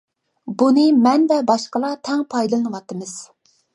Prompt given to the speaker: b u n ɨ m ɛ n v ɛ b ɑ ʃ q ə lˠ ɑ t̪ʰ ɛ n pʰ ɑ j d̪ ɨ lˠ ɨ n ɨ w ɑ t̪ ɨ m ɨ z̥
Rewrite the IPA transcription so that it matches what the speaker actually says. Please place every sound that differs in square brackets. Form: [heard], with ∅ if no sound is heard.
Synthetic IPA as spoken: b u n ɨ m ɛ n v ɛ b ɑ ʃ q ə lˠ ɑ t̪ʰ ɛ [ŋ] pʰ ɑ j d̪ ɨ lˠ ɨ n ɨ w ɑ t̪ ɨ m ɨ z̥